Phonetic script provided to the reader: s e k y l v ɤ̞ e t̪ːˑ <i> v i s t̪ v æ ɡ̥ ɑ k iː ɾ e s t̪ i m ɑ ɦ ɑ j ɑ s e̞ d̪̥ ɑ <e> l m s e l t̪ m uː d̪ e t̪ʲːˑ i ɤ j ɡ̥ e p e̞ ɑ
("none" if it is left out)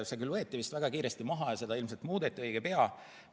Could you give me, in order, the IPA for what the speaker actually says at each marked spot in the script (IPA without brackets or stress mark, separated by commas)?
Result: i, i